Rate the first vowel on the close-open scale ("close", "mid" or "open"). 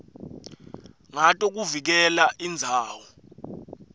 open